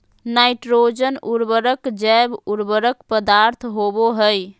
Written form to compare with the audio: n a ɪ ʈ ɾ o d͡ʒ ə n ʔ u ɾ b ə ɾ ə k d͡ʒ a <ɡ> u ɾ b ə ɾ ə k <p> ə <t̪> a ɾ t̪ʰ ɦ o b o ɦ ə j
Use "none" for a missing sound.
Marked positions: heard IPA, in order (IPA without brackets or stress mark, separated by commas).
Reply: b, p, d̪